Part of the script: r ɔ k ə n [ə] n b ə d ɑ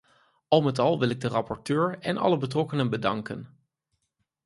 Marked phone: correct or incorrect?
correct